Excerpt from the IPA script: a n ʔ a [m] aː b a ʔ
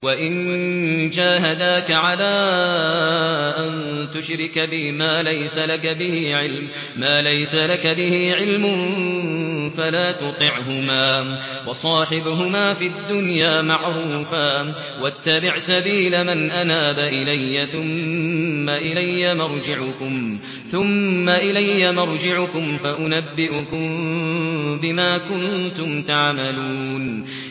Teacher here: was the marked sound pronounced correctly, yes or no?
no